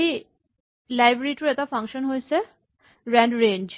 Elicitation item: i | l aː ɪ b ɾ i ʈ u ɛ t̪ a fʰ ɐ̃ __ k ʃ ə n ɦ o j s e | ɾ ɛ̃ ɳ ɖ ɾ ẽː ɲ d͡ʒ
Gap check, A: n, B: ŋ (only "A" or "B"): B